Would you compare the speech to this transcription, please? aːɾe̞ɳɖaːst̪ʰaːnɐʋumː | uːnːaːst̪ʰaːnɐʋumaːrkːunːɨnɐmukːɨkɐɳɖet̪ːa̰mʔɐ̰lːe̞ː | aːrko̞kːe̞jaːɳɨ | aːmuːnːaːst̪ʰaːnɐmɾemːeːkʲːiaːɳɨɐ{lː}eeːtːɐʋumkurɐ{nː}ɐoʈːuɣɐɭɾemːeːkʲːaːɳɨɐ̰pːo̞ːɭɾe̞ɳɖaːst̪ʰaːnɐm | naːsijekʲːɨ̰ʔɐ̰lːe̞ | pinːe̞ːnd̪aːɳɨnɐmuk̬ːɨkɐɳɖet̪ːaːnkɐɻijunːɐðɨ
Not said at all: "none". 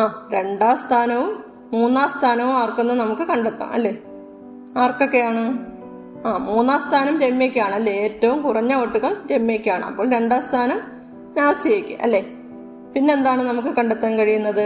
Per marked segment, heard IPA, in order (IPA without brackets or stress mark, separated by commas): lː, ɲː